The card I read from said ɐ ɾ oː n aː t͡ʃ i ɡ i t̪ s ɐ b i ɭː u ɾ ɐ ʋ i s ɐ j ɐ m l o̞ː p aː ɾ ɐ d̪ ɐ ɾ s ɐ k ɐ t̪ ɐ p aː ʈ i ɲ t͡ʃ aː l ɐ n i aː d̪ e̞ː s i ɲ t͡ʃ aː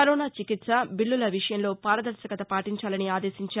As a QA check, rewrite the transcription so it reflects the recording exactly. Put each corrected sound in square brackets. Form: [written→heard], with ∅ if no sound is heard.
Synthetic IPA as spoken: ɐ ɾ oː n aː t͡ʃ i [ɡ→k] i t̪ s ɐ b i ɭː u [ɾ→l] ɐ ʋ i [s→ʂ] ɐ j ɐ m l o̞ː p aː ɾ ɐ d̪ ɐ ɾ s ɐ k ɐ t̪ ɐ p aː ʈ i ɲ t͡ʃ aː l ɐ n i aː d̪ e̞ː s i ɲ t͡ʃ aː

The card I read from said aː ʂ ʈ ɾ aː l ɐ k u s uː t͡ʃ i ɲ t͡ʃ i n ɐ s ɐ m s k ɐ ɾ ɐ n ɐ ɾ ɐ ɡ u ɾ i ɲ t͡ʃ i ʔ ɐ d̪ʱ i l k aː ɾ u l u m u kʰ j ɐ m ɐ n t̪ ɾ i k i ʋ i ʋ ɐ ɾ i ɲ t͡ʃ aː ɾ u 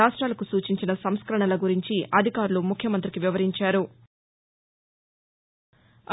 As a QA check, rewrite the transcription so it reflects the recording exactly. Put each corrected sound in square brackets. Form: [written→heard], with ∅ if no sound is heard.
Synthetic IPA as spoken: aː ʂ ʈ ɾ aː l ɐ k u s uː t͡ʃ i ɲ t͡ʃ i n ɐ s ɐ m s k ɐ ɾ ɐ [n→ɳ] ɐ [ɾ→l] ɐ ɡ u ɾ i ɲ t͡ʃ i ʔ ɐ d̪ʱ i [l→∅] k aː ɾ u l u m u kʰ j ɐ m ɐ n t̪ ɾ i k i ʋ i ʋ ɐ ɾ i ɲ t͡ʃ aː ɾ u

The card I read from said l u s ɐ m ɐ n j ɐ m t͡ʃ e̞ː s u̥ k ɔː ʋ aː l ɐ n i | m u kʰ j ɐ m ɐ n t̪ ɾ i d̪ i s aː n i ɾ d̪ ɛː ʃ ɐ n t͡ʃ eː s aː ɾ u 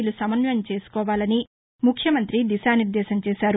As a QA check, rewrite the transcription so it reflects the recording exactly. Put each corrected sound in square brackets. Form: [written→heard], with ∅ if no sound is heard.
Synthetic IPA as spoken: l u s ɐ m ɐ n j ɐ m t͡ʃ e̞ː s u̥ k ɔː ʋ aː l ɐ n i | m u kʰ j ɐ m ɐ n t̪ ɾ i d̪ i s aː n i ɾ d̪ ɛː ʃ ɐ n t͡ʃ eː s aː ɾ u

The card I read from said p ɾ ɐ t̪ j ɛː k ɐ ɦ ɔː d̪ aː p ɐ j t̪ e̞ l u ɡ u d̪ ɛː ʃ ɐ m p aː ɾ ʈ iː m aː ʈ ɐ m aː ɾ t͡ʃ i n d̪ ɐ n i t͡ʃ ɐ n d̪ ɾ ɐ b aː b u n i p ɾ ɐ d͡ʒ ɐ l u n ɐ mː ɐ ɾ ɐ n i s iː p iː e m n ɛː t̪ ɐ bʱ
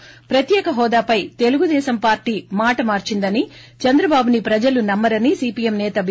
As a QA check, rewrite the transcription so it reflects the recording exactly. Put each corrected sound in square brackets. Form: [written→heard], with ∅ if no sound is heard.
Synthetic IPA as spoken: p ɾ ɐ t̪ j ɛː k ɐ ɦ ɔː d̪ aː p ɐ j t̪ e̞ l u ɡ u d̪ ɛː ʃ ɐ m p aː ɾ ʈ iː m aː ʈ ɐ m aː ɾ t͡ʃ i n d̪ ɐ n i t͡ʃ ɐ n d̪ ɾ ɐ b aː b u n i p ɾ ɐ d͡ʒ ɐ l u n ɐ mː ɐ ɾ ɐ n i s iː p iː e m n ɛː t̪ ɐ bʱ

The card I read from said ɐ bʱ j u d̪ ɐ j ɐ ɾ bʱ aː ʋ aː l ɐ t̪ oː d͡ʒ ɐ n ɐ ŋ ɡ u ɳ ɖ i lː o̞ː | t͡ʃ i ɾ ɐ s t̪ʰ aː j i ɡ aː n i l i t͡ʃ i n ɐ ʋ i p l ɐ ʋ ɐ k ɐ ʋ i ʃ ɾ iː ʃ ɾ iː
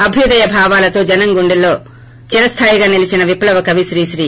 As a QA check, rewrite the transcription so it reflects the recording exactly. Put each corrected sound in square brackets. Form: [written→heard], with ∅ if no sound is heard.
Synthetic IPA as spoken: ɐ bʱ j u d̪ ɐ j ɐ [ɾ→∅] bʱ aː ʋ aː l ɐ t̪ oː d͡ʒ ɐ n ɐ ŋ ɡ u ɳ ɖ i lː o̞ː | t͡ʃ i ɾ ɐ s t̪ʰ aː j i ɡ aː n i l i t͡ʃ i n ɐ ʋ i p l ɐ ʋ ɐ k ɐ ʋ i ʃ ɾ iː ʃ ɾ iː

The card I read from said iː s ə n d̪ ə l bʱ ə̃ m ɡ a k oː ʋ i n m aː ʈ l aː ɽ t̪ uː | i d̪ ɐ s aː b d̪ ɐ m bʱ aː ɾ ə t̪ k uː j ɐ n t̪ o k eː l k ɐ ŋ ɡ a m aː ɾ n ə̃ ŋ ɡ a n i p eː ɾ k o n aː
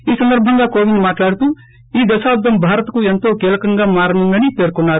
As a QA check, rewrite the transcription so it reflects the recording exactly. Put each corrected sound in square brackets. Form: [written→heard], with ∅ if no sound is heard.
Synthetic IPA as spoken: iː s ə n d̪ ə [l→ɾ] bʱ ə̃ [m→ŋ] ɡ a k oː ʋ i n m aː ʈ l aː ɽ t̪ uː | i d̪ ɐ s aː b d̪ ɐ m bʱ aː ɾ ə t̪ k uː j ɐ n t̪ o k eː l k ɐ ŋ ɡ a m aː ɾ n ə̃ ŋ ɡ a n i p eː ɾ k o n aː

